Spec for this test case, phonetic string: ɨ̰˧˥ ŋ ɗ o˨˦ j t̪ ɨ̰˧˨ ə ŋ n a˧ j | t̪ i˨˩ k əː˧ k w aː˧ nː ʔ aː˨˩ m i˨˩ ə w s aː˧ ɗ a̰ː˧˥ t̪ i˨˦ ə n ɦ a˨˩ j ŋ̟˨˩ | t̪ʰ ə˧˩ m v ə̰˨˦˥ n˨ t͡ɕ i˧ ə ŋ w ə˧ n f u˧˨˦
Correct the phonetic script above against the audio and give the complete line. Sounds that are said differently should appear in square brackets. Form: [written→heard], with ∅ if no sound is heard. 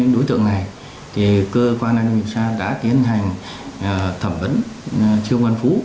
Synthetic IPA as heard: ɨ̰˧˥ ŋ ɗ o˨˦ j t̪ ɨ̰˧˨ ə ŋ n [a˧→a˨˩] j | [t̪→t̪ʰ] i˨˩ k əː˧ k w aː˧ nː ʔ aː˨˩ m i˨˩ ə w s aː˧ ɗ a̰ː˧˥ t̪ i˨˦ ə n ɦ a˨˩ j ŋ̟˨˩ | t̪ʰ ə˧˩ m v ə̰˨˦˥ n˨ t͡ɕ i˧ ə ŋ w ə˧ n f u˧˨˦